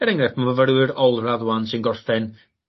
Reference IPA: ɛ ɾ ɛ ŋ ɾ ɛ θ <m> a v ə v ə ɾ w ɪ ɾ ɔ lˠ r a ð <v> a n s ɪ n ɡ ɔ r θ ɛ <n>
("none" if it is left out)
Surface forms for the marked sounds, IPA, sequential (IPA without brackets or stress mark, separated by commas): m, w, n